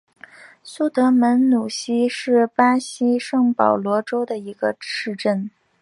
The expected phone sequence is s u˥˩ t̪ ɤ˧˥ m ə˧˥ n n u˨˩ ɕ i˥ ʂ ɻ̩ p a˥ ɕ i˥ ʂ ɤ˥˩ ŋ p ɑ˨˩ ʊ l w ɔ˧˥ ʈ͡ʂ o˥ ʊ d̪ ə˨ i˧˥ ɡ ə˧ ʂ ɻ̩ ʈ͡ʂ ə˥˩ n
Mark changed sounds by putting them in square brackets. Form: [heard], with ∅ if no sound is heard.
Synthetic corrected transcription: s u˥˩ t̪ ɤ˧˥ m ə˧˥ n n u˨˩ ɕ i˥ ʂ ɻ̩ p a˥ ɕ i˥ ʂ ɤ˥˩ ŋ p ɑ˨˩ ʊ l w ɔ˧˥ ʈ͡ʂ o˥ ʊ d̪ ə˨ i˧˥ ɡ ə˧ ʂ ɻ̩ ʈ͡ʂ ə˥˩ n